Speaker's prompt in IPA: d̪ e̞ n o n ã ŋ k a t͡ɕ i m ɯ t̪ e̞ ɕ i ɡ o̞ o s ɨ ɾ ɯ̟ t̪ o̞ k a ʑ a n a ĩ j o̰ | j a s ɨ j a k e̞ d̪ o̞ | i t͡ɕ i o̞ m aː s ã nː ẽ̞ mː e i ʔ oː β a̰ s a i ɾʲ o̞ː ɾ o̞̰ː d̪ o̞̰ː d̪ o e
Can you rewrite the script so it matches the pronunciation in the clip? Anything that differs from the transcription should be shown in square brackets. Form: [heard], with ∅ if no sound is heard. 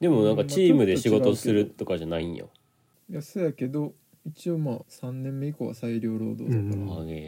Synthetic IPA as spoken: d̪ e̞ [m] o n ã ŋ k a t͡ɕ [iː] m ɯ [d̪] e̞ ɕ i ɡ o̞ o s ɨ ɾ ɯ̟ t̪ o̞ k a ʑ a n a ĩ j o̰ | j a s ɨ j a k e̞ d̪ o̞ | i t͡ɕ i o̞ m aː s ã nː ẽ̞ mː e i [k] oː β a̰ s a i ɾʲ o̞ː ɾ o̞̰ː d̪ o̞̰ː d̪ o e